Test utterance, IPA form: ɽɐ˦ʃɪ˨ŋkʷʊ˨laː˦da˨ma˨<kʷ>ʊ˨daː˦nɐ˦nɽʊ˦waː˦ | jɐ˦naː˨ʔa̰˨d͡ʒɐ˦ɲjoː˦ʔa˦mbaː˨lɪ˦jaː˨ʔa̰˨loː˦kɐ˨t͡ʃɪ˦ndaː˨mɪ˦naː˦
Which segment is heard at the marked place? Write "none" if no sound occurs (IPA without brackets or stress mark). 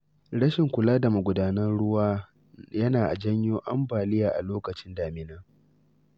ɡʷ